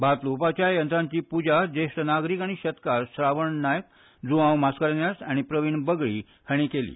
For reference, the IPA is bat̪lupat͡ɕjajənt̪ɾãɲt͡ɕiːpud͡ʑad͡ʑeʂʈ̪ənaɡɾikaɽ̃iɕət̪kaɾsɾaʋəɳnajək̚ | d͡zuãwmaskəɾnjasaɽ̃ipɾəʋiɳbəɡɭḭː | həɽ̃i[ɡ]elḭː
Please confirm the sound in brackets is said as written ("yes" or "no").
no